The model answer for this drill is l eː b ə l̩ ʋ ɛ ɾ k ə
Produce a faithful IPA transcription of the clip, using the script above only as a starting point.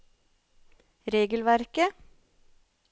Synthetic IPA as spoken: ɾ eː ɡ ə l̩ ʋ æ ɾ k ə